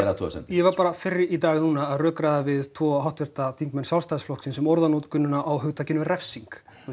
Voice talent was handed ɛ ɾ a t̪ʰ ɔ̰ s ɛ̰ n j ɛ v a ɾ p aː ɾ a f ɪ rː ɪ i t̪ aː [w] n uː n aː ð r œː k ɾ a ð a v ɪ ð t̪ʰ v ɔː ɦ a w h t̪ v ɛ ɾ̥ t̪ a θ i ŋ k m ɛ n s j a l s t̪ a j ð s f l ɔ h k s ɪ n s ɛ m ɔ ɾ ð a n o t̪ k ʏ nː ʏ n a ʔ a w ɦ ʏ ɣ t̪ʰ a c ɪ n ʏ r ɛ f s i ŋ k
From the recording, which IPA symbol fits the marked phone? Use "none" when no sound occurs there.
ɣ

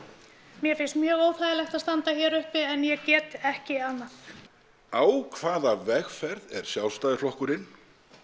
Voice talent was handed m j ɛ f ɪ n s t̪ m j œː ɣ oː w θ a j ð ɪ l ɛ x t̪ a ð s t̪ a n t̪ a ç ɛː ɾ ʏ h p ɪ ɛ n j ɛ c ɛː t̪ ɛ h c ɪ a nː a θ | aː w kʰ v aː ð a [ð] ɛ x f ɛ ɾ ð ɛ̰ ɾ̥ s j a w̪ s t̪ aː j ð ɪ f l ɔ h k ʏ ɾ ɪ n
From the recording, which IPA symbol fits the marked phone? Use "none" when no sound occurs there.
v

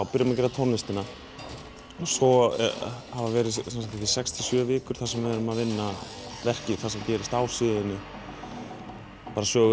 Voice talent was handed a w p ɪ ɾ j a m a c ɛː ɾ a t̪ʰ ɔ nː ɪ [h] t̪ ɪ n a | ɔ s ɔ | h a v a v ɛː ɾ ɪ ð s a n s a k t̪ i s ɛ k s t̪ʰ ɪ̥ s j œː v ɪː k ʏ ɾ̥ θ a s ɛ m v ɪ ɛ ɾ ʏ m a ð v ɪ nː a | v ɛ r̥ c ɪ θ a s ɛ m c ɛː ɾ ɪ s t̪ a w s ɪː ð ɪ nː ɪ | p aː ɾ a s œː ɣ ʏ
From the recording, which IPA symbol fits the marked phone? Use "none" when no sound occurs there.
s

